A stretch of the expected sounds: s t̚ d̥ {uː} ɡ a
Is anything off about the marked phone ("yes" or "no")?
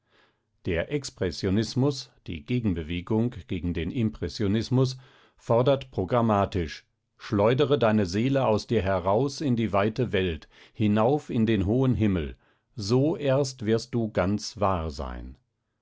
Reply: no